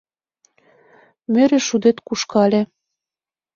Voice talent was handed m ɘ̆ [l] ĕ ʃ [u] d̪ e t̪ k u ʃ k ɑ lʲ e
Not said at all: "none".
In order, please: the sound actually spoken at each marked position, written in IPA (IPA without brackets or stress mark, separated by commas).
ɾ, u